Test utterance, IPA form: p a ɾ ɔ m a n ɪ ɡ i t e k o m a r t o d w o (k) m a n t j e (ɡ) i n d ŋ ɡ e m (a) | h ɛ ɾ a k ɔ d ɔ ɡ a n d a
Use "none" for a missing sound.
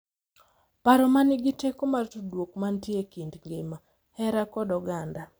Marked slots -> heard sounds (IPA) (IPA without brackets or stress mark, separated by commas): k, k, a